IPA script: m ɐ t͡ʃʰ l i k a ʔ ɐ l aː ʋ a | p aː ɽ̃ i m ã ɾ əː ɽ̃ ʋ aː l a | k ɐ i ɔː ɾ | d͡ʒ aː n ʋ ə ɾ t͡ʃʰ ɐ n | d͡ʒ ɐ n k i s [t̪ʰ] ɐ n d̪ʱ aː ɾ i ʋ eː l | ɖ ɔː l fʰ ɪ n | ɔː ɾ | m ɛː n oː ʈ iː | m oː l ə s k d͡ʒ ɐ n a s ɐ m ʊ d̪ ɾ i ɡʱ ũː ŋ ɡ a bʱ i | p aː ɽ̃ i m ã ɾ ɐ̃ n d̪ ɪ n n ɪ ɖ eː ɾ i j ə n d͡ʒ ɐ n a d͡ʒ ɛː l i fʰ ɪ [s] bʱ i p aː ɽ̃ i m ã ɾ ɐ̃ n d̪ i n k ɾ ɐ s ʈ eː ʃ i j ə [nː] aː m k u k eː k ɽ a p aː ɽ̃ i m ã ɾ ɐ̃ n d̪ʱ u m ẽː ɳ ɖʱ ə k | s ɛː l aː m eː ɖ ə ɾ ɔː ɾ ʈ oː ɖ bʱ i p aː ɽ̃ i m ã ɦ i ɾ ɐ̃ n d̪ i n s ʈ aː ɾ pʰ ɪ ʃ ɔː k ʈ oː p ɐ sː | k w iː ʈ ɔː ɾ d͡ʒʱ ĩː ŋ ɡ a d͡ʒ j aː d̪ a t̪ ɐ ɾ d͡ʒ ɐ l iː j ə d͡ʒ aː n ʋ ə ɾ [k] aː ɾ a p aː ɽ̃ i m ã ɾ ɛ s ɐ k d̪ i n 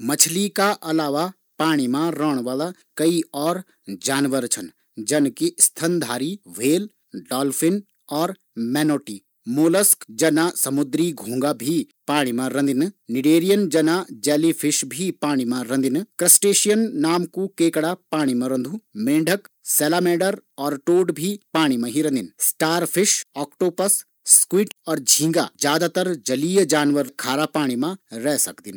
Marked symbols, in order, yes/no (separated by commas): yes, no, yes, no